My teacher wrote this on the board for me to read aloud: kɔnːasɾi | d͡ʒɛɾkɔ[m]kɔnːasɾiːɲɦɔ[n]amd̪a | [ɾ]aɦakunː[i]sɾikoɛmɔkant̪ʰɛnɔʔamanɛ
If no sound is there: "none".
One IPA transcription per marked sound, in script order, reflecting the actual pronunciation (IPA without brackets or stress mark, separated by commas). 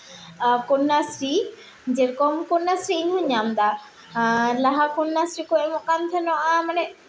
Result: m, ɲ, l, a